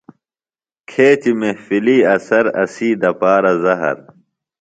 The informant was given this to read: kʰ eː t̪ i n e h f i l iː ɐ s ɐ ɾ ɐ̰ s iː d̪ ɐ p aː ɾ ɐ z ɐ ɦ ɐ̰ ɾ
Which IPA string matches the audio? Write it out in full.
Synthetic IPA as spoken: kʰ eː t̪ i m e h f i l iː ɐ s ɐ ɾ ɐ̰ s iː d̪ ɐ p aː ɾ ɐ z ɐ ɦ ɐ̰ ɾ

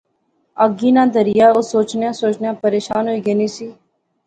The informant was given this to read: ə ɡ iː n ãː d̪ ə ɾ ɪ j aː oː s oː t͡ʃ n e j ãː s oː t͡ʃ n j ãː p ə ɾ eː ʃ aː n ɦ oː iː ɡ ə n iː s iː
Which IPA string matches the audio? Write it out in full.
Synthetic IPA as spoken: ə ɡ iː n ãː d̪ ə ɾ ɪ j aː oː s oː t͡ʃ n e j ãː s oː t͡ʃ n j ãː p ə ɾ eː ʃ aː n ɦ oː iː ɡ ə n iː s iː

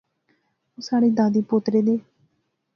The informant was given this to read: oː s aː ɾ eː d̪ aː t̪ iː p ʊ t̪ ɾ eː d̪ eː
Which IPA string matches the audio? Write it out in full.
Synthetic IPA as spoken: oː s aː ɽ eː d̪ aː d̪ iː p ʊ t̪ ɾ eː d̪ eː

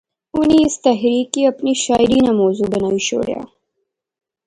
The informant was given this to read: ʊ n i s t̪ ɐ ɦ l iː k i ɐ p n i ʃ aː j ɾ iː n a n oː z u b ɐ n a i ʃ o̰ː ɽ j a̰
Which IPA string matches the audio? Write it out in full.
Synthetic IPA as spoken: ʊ n i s t̪ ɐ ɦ ɾ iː k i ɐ p n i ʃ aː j ɾ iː n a m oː z u b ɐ n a i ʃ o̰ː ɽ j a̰

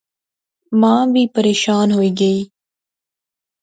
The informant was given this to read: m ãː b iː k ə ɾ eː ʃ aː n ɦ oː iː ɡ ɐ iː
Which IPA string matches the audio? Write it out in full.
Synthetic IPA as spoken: m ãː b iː p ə ɾ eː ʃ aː n ɦ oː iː ɡ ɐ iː

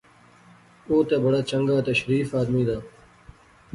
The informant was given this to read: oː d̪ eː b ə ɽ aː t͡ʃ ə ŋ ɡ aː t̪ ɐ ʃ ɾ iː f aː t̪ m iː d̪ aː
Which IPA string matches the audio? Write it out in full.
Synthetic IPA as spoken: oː t̪ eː b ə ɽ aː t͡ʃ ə ŋ ɡ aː t̪ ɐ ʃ ɾ iː f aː d̪ m iː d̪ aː

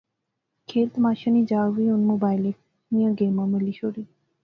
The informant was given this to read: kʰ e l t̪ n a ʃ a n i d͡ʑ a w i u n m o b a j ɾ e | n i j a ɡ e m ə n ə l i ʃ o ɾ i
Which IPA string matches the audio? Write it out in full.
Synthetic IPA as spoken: kʰ e l t̪ m a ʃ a n i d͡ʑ a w i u n m o b a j l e | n i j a ɡ e m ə m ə l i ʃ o ɾ i

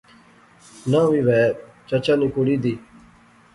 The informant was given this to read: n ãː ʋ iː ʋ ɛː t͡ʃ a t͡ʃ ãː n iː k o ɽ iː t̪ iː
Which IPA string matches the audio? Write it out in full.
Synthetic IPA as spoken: n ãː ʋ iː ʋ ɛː t͡ʃ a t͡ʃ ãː n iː k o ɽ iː d̪ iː

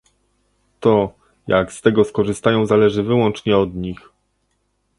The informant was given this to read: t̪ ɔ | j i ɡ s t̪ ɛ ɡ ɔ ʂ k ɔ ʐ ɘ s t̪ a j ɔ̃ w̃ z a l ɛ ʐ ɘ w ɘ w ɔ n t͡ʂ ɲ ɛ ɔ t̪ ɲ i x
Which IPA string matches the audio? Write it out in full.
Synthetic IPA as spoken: t̪ ɔ | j a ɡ s t̪ ɛ ɡ ɔ s k ɔ ʐ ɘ s t̪ a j ɔ̃ w̃ z a l ɛ ʐ ɘ v ɘ w ɔ n t͡ʂ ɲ ɛ ɔ d̪ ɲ i x

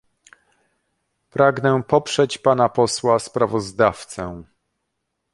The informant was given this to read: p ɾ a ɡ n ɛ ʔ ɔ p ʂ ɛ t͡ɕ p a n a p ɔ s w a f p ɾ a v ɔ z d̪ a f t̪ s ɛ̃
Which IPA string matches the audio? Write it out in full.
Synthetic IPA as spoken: p ɾ a ɡ n ɛ p ɔ p ʂ ɛ t͡ɕ p a n a p ɔ s w a s p ɾ a v ɔ z d̪ a f t̪ s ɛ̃

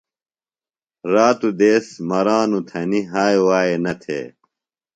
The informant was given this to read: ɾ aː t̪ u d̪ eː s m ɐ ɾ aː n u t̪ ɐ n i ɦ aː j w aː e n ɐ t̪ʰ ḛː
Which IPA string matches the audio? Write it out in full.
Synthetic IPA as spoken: ɾ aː t̪ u d̪ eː s m ɐ ɾ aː n u t̪ʰ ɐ n i ɦ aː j w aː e n ɐ t̪ʰ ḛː

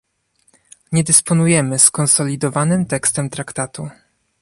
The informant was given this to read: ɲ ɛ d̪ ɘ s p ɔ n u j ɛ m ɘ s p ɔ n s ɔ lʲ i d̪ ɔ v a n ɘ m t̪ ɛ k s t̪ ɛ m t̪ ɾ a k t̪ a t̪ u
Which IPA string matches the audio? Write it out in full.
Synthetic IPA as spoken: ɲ ɛ d̪ ɘ s p ɔ n u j ɛ m ɘ s k ɔ n s ɔ lʲ i d̪ ɔ v a n ɘ m t̪ ɛ k s t̪ ɛ m t̪ ɾ a k t̪ a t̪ u

